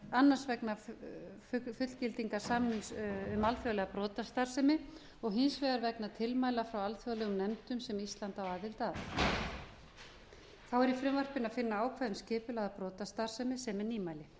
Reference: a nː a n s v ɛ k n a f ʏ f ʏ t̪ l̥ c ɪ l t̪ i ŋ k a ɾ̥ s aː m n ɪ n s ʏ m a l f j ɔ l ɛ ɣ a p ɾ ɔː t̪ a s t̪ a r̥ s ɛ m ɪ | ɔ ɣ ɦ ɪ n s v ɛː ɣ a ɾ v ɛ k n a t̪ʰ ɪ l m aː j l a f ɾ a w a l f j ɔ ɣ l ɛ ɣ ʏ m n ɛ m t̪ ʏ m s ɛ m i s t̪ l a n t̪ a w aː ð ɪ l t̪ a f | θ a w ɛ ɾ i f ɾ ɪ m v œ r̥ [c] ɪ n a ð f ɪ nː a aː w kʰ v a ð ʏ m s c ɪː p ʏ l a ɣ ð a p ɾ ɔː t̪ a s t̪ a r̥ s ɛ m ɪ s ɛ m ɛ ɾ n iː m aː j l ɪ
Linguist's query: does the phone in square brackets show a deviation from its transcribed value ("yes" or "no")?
yes